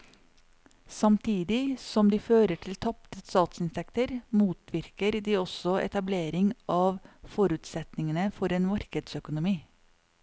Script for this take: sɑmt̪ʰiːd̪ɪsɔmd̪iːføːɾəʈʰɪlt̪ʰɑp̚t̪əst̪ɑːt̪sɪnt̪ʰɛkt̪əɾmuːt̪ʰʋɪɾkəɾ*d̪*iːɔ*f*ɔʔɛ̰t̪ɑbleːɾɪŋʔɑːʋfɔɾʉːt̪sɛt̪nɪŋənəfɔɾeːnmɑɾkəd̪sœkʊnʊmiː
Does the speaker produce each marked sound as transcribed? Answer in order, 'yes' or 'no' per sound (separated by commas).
yes, no